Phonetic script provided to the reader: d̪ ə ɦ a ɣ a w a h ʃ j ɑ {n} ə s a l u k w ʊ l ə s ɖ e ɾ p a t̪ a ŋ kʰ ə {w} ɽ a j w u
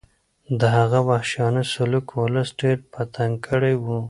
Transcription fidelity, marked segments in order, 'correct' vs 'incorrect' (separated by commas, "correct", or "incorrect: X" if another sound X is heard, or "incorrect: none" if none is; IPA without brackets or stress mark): correct, incorrect: none